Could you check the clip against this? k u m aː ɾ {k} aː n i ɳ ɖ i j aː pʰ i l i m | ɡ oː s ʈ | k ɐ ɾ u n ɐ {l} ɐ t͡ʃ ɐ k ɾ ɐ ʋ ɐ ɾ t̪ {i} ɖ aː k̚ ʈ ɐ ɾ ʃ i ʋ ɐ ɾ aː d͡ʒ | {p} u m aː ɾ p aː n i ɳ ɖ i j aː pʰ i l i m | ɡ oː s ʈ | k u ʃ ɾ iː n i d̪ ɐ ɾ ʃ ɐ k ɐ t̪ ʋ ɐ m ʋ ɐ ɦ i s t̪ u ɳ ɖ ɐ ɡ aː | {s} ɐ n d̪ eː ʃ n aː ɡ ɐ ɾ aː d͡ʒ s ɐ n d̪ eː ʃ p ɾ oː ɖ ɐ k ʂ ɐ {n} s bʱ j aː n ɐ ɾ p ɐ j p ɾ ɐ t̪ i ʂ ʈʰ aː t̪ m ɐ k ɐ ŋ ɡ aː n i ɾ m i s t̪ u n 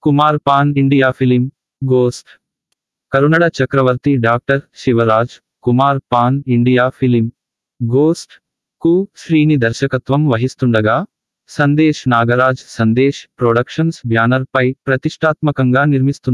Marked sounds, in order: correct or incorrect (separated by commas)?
incorrect, incorrect, correct, incorrect, correct, correct